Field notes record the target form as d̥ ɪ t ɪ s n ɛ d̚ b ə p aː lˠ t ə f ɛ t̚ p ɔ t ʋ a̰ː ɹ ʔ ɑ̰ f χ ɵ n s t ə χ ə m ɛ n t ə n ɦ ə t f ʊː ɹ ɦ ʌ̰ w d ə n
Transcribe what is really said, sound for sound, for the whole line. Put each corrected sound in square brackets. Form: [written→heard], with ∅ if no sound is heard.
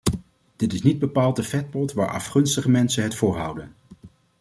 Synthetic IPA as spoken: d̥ ɪ t ɪ s n [ɛ→i] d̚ b ə p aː lˠ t ə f ɛ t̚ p ɔ t ʋ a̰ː ɹ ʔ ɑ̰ f χ ɵ n s t ə χ ə m ɛ n [t→s] ə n ɦ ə t f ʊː ɹ ɦ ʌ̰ w d ə n